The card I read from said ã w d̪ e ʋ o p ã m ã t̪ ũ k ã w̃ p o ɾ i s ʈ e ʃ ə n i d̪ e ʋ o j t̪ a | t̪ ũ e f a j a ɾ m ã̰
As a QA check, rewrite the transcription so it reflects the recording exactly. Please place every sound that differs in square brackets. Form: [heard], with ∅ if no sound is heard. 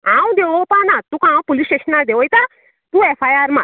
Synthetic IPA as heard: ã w d̪ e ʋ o p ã [n] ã t̪ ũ k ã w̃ p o [l] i s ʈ e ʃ ə n [a] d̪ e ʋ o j t̪ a | t̪ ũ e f a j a ɾ m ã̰